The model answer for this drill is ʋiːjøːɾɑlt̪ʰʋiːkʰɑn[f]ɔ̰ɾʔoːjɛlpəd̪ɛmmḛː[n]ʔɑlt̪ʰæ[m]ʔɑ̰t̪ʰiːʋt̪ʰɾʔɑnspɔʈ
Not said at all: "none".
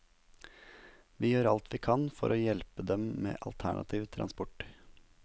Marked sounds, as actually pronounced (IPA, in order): f, none, ɳ

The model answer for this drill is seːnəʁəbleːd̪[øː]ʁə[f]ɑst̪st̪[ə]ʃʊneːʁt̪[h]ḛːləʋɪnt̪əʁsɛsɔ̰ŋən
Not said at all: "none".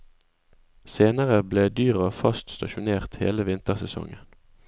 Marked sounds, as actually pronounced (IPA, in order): yː, f, ɑ, h

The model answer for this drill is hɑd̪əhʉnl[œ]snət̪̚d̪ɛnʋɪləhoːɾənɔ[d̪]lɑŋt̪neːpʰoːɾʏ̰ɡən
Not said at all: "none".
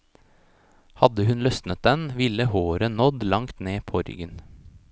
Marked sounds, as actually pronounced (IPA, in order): œ, d̪

